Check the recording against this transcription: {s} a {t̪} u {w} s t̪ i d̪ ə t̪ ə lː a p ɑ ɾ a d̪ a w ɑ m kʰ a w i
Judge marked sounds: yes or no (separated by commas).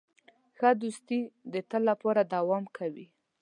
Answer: no, no, no